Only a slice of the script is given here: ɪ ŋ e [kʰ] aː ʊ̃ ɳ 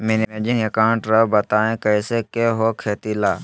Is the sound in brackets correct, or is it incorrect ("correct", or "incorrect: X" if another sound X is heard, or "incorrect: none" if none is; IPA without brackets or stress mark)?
incorrect: k